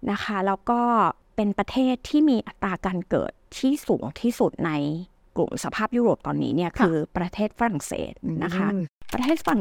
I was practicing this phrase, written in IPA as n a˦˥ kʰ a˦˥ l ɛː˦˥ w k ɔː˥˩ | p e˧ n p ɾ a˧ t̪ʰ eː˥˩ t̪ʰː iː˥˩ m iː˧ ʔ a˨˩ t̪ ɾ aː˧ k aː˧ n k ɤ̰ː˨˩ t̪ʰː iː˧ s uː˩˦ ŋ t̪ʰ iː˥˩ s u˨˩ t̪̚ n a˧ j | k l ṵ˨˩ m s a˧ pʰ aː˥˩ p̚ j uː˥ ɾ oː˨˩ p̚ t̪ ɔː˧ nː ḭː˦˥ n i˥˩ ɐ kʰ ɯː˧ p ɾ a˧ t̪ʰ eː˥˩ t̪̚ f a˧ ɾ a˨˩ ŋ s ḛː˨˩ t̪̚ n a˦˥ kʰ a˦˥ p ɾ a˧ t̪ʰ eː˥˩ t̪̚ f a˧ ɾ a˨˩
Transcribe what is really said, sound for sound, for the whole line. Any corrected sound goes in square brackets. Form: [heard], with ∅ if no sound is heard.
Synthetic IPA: n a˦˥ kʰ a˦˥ l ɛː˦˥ w k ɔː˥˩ | p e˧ n p ɾ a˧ t̪ʰ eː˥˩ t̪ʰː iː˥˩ m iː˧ ʔ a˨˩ t̪ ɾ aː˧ k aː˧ n k ɤ̰ː˨˩ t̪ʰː [iː˥˩] s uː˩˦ ŋ t̪ʰ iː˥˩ s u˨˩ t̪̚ n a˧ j | k l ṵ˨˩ m s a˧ pʰ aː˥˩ p̚ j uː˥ ɾ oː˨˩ p̚ t̪ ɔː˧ nː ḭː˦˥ n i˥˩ ɐ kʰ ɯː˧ p ɾ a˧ t̪ʰ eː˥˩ t̪̚ f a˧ ɾ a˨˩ ŋ s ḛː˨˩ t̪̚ n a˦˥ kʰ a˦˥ p ɾ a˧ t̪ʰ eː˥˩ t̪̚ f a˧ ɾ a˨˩